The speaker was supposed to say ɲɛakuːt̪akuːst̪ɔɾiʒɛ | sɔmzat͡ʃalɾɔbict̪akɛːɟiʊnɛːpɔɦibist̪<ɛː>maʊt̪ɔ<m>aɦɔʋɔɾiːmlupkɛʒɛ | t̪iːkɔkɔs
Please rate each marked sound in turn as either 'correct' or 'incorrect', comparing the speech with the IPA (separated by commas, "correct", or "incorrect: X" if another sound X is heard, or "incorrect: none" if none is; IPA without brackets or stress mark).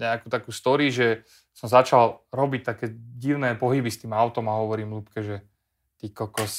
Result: incorrect: iː, correct